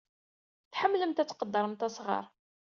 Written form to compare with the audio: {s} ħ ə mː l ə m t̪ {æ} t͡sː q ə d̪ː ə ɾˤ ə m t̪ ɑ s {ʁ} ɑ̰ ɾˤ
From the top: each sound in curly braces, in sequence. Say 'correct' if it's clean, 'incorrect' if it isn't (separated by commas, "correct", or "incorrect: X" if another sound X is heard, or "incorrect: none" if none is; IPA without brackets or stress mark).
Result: incorrect: θ, correct, correct